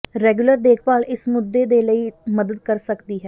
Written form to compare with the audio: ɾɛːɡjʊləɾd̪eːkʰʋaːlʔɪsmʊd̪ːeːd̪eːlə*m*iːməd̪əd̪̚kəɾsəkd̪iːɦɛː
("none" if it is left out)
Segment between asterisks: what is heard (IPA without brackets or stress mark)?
none